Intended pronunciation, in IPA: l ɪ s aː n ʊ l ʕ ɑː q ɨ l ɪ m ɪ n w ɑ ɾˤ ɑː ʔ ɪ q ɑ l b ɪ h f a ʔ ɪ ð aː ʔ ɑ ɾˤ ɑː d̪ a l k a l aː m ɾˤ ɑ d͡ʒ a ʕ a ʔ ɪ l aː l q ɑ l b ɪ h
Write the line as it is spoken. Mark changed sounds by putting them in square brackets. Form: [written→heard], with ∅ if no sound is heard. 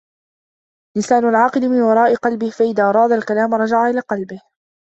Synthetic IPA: l ɪ s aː n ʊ l ʕ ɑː q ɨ l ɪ m ɪ n w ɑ ɾˤ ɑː ʔ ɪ q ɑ l b ɪ h f a ʔ ɪ ð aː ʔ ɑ ɾˤ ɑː d̪ a l k a l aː m ɾˤ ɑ d͡ʒ a ʕ a ʔ ɪ l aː [l→∅] q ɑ l b ɪ h

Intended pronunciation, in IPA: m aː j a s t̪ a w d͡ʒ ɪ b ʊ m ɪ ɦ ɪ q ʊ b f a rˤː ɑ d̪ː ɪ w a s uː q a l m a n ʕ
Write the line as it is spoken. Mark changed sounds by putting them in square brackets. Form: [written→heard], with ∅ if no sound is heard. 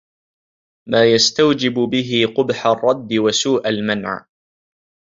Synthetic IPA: m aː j a s t̪ a w d͡ʒ ɪ b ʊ [m→b] ɪ ɦ ɪ q ʊ b [f→ħ] a rˤː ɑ d̪ː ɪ w a s uː [q→ʔ] a l m a n ʕ

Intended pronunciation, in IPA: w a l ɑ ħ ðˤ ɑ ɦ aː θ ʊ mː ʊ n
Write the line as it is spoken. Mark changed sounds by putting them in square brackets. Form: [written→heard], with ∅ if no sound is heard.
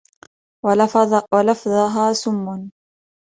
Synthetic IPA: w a l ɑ [ħ→f] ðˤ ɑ ɦ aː [θ→s] ʊ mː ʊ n

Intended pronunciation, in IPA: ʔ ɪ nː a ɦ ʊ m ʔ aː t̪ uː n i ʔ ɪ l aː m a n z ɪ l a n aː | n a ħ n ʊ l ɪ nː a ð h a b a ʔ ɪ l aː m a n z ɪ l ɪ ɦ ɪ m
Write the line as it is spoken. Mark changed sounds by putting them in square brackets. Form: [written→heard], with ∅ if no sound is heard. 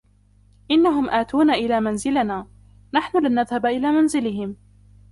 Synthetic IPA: ʔ ɪ nː a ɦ ʊ m ʔ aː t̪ uː n [i→a] ʔ ɪ l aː m a n z ɪ l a n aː | n a ħ n ʊ l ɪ nː a ð h a b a ʔ ɪ l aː m a n z ɪ l ɪ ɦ ɪ m

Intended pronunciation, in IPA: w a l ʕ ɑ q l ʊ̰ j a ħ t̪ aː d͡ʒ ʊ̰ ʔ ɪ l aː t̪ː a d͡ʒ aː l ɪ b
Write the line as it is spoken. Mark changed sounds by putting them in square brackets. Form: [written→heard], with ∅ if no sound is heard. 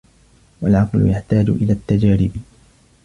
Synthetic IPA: w a l ʕ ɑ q l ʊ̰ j a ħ t̪ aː d͡ʒ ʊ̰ ʔ ɪ l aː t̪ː a d͡ʒ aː [l→ɾ] ɪ b

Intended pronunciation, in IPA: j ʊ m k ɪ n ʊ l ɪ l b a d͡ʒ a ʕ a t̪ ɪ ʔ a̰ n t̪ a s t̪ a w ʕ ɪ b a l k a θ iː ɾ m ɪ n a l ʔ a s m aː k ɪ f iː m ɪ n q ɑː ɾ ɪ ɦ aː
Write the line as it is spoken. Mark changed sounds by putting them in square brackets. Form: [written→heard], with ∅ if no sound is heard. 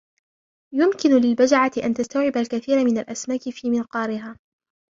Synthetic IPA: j ʊ m k ɪ n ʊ l ɪ l b a d͡ʒ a ʕ a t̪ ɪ ʔ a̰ n t̪ a s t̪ a w ʕ ɪ b a l k a θ iː ɾ m ɪ n a l ʔ a s m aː k ɪ f iː m ɪ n q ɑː ɾ ɪ ɦ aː

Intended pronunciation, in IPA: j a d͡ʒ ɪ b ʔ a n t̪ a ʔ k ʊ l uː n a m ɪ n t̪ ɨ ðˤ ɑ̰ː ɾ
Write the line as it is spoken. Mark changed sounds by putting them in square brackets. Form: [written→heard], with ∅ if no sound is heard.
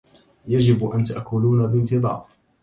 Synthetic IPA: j a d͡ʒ ɪ b ʔ a n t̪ a ʔ k ʊ l uː n a [m→b] ɪ n t̪ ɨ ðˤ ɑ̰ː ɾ

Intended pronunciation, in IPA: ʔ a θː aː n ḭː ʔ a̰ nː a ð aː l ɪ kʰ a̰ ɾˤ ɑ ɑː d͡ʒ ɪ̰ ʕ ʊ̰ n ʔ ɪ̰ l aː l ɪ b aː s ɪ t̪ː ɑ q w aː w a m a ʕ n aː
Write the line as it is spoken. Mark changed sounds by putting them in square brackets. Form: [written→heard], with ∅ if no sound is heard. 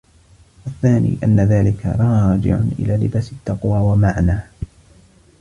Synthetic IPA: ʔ a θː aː n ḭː ʔ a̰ nː a ð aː l ɪ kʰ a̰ ɾˤ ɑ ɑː d͡ʒ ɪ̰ ʕ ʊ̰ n ʔ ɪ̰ l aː l ɪ b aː s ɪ t̪ː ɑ q w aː w a m a ʕ n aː

